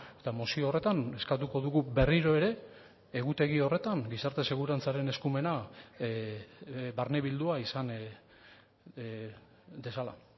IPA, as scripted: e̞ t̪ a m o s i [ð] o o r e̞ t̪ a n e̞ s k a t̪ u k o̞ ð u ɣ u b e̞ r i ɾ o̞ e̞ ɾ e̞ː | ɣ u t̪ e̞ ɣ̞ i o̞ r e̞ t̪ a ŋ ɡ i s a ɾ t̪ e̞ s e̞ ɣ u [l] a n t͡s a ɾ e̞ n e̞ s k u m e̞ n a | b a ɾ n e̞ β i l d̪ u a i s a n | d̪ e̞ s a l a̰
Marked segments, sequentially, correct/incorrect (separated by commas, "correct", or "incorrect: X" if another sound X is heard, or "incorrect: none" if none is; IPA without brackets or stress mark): incorrect: none, incorrect: ɾ